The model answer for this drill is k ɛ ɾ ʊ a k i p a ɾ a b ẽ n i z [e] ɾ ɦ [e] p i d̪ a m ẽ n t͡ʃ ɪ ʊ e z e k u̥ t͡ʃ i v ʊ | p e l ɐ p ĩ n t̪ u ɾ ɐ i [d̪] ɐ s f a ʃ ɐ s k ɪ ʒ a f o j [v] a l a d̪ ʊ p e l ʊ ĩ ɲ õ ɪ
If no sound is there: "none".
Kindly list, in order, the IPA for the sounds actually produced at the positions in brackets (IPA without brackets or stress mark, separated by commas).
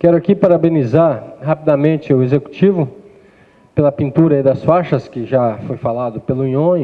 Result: a, a, d̪, f